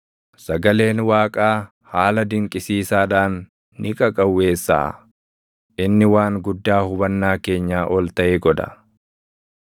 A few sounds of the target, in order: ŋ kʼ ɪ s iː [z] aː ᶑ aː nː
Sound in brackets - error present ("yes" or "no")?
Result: yes